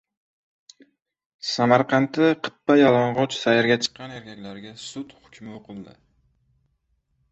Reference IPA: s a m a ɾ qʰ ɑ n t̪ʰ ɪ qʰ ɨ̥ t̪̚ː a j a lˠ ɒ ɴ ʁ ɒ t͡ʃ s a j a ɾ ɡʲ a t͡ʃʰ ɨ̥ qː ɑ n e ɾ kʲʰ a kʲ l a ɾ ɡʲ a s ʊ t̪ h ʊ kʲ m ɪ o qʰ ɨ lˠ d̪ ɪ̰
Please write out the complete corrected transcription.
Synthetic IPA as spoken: s a m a ɾ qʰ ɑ n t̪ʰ ɪ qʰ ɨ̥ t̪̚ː a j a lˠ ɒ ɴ ʁ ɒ t͡ʃ s a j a ɾ ɡʲ a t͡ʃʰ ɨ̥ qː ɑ n e ɾ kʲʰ a kʲ l a ɾ ɡʲ a s ʊ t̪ h ʊ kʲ m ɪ o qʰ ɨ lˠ d̪ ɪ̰